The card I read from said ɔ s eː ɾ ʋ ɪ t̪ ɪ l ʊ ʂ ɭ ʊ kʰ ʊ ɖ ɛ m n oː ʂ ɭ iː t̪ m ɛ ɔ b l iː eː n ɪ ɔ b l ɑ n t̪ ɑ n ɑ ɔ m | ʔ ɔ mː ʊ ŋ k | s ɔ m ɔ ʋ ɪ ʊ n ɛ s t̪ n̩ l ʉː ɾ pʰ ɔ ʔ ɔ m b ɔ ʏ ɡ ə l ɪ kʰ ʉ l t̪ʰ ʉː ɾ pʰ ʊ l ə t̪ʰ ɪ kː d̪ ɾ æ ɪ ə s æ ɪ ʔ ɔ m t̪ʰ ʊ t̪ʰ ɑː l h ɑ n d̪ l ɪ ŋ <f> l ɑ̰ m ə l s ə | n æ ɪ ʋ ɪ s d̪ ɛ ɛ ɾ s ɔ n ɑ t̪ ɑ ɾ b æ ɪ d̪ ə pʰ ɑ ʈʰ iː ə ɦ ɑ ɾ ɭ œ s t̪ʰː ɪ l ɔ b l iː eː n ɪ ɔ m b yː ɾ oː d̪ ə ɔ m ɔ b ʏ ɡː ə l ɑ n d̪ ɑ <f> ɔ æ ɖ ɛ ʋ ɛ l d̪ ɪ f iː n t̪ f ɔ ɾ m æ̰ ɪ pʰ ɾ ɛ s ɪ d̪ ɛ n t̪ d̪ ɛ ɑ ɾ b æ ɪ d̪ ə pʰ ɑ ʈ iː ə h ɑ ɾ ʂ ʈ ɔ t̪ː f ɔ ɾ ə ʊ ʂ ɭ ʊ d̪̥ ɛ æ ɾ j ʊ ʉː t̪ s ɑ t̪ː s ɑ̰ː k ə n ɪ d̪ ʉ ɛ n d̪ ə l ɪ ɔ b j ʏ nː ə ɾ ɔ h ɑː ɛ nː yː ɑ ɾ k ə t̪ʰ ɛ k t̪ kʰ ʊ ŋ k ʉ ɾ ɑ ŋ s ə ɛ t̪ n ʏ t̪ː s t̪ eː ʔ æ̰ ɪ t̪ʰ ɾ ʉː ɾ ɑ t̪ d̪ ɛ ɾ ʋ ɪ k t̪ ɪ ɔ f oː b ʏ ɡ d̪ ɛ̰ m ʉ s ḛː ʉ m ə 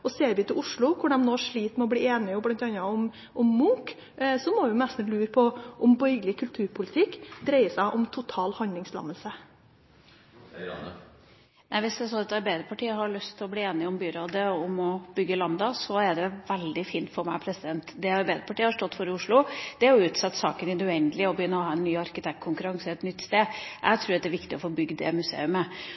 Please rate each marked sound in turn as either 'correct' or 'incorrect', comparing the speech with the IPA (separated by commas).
incorrect, incorrect